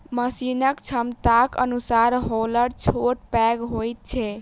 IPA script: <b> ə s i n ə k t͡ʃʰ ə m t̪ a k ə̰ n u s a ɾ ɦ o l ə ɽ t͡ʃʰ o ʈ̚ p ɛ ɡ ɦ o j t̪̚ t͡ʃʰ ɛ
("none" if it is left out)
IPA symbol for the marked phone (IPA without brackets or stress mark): m